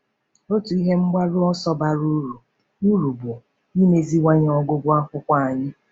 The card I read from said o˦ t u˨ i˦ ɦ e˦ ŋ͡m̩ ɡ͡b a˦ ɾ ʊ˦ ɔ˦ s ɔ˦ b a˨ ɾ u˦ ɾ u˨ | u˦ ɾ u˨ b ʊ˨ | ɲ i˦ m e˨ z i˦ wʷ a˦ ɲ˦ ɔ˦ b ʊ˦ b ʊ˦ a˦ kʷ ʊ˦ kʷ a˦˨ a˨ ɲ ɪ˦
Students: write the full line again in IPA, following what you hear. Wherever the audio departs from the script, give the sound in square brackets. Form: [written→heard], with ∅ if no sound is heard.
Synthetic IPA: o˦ t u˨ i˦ ɦ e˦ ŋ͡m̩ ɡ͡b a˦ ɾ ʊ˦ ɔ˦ s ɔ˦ b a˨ ɾ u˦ ɾ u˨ | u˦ ɾ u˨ b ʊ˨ | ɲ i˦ m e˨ z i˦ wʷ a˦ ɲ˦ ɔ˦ [b→ɡ] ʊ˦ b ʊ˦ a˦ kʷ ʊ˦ kʷ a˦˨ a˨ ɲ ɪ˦